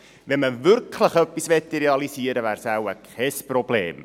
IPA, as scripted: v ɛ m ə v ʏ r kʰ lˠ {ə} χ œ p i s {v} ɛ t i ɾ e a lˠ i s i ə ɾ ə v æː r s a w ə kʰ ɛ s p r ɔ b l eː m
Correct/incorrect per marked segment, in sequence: correct, correct

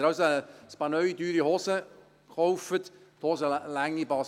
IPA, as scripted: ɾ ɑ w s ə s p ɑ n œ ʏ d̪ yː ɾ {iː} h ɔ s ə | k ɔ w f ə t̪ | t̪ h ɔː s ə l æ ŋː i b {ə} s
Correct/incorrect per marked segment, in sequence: incorrect: i, incorrect: ɑ

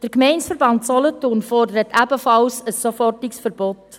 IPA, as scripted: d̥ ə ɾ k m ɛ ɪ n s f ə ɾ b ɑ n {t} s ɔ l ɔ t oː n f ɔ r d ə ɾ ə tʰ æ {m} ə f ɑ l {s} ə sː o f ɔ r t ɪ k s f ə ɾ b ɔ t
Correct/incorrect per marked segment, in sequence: correct, incorrect: b, correct

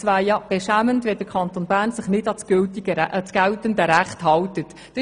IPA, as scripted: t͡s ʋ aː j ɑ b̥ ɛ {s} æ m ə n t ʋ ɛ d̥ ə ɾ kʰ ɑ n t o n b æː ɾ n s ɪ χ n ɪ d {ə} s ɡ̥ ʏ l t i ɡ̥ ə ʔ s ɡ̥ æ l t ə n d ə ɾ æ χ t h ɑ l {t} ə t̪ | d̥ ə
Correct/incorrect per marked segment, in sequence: incorrect: ʃ, incorrect: ɑ, correct

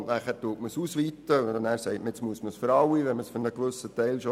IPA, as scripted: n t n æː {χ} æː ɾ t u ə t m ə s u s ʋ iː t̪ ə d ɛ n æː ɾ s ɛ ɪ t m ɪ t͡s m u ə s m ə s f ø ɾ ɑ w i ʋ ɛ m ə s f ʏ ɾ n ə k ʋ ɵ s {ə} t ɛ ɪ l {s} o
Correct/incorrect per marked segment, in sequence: correct, correct, incorrect: ʃ

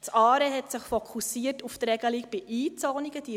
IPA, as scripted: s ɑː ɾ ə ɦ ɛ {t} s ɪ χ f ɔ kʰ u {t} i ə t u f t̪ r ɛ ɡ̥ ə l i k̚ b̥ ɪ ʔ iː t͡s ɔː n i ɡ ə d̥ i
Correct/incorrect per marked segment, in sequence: correct, incorrect: s

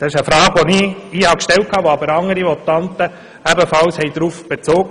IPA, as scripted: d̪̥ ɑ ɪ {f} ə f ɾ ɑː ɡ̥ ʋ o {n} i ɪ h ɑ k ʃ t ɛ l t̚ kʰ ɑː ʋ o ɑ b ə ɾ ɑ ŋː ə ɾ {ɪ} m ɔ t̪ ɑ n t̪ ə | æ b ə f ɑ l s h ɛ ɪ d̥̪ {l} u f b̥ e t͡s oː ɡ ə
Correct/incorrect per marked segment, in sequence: incorrect: ʃ, correct, incorrect: i, incorrect: ɾ

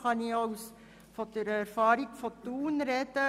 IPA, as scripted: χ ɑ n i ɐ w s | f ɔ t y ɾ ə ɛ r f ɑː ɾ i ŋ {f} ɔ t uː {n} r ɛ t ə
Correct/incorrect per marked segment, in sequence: correct, correct

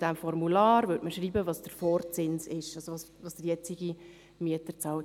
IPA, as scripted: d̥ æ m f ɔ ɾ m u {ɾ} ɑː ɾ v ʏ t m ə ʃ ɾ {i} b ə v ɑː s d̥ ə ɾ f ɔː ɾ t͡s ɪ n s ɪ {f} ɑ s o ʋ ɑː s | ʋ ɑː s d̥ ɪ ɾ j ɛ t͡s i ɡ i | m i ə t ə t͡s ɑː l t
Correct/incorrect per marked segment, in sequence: incorrect: l, incorrect: iː, incorrect: ʃ

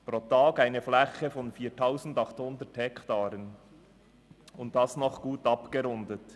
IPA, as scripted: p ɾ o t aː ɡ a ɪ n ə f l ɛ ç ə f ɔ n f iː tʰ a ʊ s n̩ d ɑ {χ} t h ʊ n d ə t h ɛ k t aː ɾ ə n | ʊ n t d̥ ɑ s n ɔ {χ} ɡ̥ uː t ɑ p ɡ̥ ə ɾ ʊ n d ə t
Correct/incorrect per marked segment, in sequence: correct, correct

